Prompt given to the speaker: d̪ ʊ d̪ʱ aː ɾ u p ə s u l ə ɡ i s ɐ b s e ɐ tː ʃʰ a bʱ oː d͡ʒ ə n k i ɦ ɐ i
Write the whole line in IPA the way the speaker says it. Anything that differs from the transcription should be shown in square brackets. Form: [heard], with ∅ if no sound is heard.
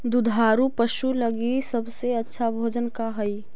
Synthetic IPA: d̪ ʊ d̪ʱ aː ɾ u p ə [ʃ] u l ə ɡ i s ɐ b s e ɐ tː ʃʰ a bʱ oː d͡ʒ ə n k [a] ɦ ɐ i